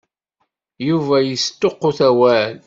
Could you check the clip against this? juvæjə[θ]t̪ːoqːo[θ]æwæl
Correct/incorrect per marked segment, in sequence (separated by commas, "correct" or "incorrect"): incorrect, correct